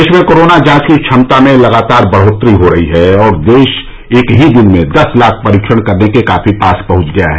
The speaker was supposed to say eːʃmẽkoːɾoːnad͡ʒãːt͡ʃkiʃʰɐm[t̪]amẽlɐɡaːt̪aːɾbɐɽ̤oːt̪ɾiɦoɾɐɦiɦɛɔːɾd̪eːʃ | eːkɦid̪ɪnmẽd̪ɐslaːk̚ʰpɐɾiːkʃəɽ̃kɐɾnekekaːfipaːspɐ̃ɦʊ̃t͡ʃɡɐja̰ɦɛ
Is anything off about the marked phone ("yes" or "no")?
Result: no